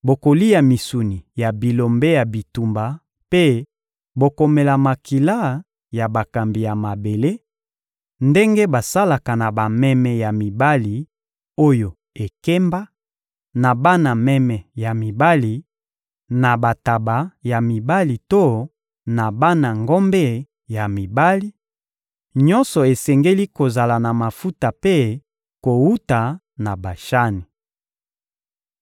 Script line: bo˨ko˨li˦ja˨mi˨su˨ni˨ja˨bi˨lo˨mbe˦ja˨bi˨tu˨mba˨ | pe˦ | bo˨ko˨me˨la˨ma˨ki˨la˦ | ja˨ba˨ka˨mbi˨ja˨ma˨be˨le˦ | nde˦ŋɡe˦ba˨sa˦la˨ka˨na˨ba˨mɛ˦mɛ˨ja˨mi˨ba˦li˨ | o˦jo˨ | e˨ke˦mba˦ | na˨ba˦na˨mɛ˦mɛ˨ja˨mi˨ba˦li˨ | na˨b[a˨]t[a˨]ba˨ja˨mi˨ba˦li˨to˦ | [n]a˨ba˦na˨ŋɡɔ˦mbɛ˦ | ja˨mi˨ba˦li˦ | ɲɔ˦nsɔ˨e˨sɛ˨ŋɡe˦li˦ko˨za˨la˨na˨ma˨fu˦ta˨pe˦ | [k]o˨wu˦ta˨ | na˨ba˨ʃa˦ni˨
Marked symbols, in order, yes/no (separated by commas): yes, yes, yes, yes